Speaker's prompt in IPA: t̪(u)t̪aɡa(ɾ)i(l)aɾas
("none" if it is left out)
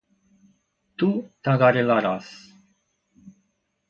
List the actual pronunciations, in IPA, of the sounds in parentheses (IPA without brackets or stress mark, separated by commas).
u, ɾ, l